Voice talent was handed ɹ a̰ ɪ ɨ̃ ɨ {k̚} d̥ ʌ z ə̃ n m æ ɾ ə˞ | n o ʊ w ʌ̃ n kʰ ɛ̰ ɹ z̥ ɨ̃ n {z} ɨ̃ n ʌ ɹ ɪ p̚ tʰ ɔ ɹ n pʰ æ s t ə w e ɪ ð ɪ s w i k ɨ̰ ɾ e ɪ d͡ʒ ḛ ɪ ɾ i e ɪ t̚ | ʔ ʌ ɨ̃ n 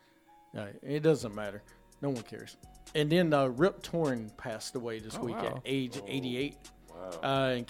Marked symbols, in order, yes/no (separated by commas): no, no